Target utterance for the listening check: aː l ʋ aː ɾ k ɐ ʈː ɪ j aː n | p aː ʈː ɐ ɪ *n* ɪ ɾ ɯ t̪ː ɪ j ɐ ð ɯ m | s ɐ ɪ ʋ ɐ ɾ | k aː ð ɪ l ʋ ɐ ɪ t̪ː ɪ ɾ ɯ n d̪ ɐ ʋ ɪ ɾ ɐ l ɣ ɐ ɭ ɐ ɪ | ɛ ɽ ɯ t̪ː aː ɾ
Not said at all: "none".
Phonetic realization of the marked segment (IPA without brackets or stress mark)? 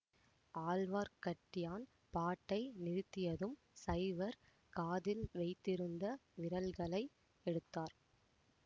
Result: n